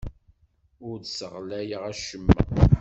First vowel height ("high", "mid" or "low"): high